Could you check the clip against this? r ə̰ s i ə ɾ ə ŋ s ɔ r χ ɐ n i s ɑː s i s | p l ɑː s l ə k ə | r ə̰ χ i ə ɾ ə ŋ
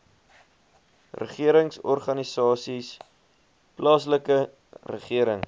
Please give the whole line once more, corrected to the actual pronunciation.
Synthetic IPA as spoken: r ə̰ χ i ə ɾ ə ŋ s ɔ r χ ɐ n i s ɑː s i s | p l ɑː s l ə k ə | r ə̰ χ i ə ɾ ə ŋ